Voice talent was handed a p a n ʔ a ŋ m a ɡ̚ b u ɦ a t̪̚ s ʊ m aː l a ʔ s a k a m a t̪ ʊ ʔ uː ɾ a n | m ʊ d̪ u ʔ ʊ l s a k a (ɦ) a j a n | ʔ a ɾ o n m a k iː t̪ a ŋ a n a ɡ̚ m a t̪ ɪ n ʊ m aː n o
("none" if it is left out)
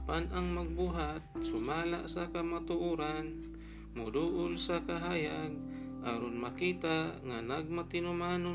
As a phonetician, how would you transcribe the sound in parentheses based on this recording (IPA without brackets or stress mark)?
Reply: ɦ